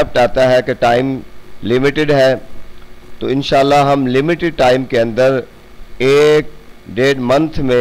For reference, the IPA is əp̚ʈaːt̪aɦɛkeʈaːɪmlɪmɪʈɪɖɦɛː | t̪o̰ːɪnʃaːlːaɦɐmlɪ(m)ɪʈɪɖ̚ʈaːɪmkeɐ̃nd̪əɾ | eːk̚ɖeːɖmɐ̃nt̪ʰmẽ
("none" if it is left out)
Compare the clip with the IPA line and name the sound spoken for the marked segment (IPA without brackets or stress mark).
m